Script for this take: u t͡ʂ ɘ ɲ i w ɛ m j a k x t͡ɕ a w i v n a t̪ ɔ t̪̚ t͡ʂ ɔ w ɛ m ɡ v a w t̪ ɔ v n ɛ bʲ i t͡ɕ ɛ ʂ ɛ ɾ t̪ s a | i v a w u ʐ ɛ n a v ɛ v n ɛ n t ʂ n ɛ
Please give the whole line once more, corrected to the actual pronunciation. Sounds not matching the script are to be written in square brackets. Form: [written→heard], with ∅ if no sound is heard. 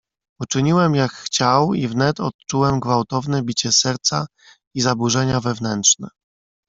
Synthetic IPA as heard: u t͡ʂ ɘ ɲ i w ɛ m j a k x t͡ɕ a w i v n [a→ɛ] t̪ ɔ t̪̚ t͡ʂ [ɔ→u] w ɛ m ɡ v a w t̪ ɔ v n ɛ bʲ i t͡ɕ ɛ [ʂ→s] ɛ ɾ t̪ s a | i [v→z] a [w→b] u ʐ ɛ [n→ɲ] a v ɛ v n ɛ n t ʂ n ɛ